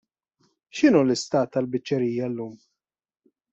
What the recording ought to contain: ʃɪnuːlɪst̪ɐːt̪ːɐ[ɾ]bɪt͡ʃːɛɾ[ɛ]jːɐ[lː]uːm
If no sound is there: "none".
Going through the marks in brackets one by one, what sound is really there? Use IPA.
l, i, lː

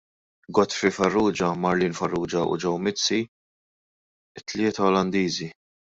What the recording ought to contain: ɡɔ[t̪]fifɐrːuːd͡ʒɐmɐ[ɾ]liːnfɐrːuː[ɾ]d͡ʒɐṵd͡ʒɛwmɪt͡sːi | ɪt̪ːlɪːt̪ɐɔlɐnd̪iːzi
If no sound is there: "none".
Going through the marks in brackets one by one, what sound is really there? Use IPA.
t̪, ɾ, none

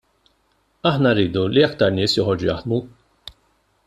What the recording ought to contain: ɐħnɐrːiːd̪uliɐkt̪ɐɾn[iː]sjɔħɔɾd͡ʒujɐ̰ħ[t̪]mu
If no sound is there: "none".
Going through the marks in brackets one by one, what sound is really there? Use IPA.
ɪː, d̪

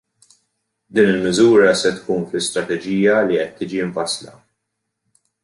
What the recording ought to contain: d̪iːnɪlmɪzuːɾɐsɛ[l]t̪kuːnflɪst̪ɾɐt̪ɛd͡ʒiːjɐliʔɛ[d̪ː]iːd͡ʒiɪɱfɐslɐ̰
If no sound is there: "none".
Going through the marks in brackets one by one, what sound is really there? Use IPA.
none, t̪ː

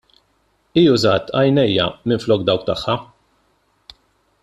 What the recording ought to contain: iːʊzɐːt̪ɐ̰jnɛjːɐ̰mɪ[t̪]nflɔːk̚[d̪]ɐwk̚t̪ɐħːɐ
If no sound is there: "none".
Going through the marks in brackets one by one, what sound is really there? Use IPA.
none, d̪

